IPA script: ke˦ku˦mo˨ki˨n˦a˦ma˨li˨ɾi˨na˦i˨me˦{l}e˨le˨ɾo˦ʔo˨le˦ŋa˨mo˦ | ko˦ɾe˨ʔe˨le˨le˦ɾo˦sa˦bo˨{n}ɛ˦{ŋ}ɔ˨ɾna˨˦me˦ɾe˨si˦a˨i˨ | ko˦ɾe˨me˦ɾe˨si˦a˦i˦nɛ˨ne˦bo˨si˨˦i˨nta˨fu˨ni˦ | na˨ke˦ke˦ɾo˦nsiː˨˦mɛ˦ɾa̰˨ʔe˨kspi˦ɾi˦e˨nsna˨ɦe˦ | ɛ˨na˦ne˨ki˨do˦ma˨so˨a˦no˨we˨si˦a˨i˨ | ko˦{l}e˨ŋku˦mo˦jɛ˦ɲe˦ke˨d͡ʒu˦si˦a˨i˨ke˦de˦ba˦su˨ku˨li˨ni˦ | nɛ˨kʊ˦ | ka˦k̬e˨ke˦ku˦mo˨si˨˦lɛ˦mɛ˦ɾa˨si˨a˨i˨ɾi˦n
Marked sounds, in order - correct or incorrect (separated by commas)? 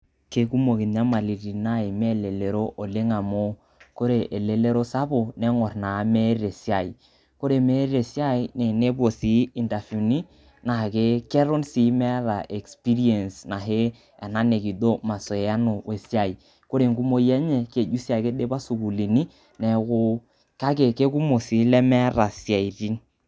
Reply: correct, correct, correct, incorrect